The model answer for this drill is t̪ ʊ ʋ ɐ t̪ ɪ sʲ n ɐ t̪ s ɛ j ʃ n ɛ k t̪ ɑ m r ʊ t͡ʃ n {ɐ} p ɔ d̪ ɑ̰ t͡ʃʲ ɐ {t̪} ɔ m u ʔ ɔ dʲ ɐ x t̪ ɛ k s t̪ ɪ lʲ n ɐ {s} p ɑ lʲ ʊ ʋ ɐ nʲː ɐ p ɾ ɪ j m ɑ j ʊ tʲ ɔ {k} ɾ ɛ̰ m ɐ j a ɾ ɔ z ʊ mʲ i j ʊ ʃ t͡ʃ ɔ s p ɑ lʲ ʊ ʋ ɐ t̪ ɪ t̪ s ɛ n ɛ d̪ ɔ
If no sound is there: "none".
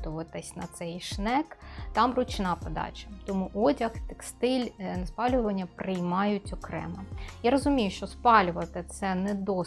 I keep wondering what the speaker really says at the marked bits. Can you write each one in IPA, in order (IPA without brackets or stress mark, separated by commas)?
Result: ɑ, t̪, s, k